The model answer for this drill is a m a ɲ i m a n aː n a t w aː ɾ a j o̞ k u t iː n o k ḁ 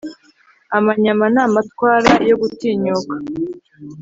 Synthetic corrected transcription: a m a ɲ a m a n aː m a t w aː ɾ a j o̞ ɡ u t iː ɲ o k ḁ